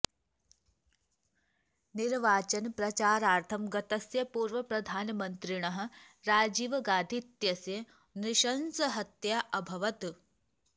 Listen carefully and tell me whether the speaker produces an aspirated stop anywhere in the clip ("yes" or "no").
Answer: yes